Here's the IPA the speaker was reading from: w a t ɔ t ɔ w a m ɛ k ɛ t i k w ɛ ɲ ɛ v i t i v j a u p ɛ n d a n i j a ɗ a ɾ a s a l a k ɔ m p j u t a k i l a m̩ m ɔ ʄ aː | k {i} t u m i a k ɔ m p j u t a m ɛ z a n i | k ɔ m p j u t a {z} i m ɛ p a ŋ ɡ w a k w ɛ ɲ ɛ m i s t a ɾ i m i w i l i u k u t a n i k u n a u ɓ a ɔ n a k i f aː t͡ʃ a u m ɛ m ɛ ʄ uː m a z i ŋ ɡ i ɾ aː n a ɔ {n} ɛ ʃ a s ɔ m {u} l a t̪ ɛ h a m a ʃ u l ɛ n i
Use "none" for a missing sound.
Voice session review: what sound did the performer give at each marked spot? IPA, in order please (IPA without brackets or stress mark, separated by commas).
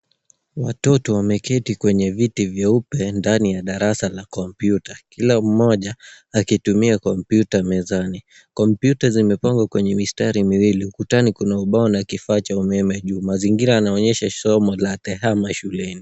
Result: i, z, ɲ, ɔ